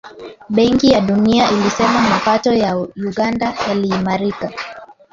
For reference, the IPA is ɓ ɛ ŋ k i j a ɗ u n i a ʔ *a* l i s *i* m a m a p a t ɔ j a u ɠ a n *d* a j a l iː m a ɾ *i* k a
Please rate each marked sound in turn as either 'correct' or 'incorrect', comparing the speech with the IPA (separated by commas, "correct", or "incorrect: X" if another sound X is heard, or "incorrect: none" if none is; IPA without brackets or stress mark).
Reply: incorrect: i, incorrect: ɛ, correct, correct